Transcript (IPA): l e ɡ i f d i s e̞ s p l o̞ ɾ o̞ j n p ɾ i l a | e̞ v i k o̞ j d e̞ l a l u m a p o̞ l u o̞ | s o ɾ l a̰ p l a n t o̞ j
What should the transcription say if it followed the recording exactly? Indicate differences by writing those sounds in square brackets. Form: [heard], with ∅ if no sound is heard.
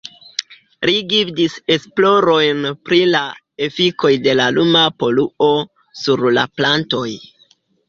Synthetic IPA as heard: l [i] ɡ i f d i s e̞ s p l o̞ ɾ o̞ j n p ɾ i l a | e̞ [f] i k o̞ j d e̞ l a l u m a p o̞ l u o̞ | s [u] ɾ l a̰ p l a n t o̞ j